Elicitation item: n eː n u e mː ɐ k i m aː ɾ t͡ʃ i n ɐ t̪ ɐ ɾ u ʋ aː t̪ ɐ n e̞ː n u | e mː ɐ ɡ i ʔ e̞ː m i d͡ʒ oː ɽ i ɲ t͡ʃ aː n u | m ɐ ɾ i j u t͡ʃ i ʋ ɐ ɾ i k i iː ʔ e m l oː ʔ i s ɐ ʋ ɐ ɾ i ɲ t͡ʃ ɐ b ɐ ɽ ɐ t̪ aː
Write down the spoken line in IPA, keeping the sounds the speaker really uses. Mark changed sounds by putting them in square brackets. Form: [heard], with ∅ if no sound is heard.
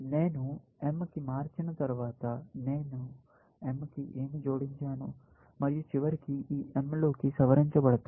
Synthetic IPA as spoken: n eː n u e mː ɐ k i m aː ɾ t͡ʃ i n ɐ t̪ ɐ ɾ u ʋ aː t̪ ɐ n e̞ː n u | e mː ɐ [k] i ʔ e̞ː m i d͡ʒ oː ɽ i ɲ t͡ʃ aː n u | m ɐ ɾ i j u t͡ʃ i ʋ ɐ ɾ i k i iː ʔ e m l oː [k] i s ɐ ʋ ɐ ɾ i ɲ t͡ʃ ɐ b ɐ ɽ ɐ t̪ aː